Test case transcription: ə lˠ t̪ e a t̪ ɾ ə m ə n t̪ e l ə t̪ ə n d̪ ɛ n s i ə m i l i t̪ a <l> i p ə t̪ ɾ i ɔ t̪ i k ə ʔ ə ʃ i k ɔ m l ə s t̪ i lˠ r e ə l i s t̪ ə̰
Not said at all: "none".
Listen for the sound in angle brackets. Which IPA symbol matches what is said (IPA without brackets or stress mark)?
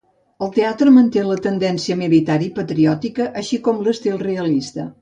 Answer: ɾ